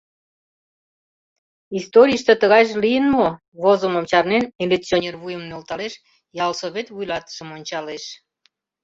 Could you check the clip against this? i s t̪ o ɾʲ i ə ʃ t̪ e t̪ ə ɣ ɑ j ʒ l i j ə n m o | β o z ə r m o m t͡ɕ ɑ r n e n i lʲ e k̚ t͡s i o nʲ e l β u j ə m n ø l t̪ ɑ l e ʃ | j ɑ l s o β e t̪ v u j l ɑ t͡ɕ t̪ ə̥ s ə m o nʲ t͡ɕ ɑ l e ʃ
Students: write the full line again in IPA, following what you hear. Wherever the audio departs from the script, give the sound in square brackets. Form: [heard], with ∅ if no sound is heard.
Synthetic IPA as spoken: i s t̪ o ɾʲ i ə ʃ t̪ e t̪ ə ɣ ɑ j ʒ l i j ə n m o | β o z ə [∅] m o m t͡ɕ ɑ r n e n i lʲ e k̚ t͡s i o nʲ e [r] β u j ə m n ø l t̪ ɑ l e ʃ | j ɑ l s o β e t̪ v u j l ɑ [∅] t̪ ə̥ [ʃ] ə m o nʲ t͡ɕ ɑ l e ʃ